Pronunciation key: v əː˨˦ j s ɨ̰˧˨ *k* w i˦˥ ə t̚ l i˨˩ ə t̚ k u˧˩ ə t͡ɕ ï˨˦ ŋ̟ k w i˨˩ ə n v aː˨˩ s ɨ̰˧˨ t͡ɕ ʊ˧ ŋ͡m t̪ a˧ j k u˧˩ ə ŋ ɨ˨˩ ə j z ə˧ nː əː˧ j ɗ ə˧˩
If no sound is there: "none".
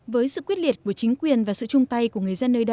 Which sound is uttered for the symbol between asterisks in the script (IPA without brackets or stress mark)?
k